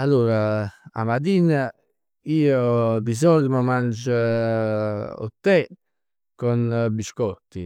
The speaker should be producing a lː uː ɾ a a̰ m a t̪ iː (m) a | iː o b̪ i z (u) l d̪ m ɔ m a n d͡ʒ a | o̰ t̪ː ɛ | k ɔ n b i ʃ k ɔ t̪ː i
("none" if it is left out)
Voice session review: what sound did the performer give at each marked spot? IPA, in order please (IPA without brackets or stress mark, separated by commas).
n, ɔ